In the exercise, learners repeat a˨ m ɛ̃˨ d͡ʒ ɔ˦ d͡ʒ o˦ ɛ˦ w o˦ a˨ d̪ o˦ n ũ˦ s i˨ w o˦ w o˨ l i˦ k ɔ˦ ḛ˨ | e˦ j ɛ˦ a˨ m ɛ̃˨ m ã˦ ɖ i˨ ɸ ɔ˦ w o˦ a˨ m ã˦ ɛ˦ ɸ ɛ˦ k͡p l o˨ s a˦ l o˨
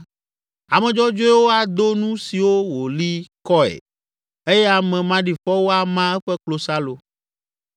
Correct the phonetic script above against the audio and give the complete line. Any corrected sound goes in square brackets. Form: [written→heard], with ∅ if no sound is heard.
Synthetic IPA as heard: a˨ m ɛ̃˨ d͡ʒ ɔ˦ d͡ʒ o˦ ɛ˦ w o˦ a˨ d̪ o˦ n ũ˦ s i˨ w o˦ w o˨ l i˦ k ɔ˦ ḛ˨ | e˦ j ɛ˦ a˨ m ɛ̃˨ m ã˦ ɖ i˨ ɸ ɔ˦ w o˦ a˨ m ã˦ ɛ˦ ɸ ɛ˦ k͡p l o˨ s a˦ l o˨